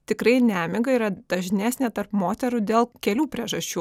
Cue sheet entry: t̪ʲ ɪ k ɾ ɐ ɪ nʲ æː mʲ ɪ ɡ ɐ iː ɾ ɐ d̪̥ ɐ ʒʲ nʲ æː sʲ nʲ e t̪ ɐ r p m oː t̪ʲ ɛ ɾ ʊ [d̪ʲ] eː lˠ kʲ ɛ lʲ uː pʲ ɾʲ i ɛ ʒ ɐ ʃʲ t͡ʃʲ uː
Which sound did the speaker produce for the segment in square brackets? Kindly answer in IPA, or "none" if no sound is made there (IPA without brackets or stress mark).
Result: d̪ʲ